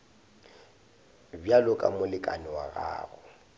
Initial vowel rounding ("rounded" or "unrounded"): unrounded